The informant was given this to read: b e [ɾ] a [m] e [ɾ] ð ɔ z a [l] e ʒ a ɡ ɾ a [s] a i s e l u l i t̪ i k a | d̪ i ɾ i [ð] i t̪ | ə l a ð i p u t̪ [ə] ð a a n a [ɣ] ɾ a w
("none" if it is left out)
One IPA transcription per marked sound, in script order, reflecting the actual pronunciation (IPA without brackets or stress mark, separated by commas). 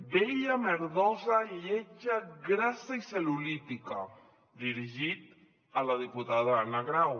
ʎ, m, ɾ, ʎ, s, ʒ, a, ɣ